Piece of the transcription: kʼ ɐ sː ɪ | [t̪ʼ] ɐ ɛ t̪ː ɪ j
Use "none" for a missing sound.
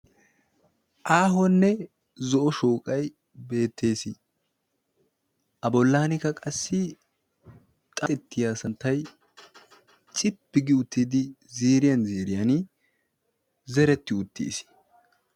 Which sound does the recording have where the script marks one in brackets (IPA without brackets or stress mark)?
t̪ʼ